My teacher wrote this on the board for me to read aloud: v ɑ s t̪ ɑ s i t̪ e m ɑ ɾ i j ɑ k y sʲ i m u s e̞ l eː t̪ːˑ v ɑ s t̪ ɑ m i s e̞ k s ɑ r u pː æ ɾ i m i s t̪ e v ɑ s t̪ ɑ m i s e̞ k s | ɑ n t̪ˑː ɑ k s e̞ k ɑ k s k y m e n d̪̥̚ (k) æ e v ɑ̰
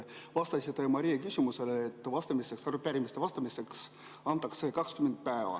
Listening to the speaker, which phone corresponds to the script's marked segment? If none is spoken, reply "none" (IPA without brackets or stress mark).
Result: p